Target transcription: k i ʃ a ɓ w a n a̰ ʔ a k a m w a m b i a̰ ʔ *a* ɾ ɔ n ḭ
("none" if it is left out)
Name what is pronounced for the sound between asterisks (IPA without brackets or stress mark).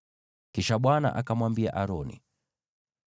a